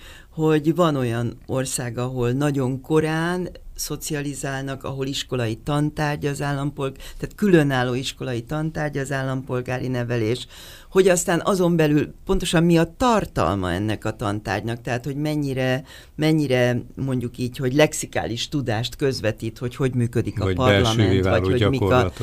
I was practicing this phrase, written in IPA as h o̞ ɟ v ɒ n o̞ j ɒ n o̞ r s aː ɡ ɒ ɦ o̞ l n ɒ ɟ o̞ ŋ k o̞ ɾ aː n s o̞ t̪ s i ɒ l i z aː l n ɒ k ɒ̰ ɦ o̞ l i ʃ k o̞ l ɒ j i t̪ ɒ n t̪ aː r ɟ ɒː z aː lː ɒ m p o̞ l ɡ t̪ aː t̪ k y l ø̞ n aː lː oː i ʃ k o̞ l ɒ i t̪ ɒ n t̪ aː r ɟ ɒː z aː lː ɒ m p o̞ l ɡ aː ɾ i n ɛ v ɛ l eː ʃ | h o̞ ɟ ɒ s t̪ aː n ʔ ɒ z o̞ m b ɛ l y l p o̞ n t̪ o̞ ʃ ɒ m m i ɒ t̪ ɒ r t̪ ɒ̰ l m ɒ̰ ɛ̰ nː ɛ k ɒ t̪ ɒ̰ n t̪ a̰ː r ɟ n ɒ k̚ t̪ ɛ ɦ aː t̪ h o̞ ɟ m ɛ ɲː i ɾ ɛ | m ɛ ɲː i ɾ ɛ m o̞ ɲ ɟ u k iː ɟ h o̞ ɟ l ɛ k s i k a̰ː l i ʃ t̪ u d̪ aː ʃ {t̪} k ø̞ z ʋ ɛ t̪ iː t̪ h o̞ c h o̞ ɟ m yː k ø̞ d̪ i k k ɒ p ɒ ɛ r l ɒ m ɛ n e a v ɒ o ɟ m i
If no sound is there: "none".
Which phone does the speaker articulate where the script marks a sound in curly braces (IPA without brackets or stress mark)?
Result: t̪